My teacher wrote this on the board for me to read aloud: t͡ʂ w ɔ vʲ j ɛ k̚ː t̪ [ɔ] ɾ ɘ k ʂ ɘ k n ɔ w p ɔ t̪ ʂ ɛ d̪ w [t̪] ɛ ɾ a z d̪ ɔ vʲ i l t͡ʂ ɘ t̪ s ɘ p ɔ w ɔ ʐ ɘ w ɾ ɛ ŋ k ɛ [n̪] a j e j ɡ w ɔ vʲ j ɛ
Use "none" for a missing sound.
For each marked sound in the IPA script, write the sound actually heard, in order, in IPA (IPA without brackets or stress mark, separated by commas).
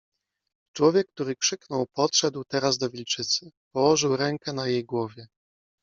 u, t̪, n̪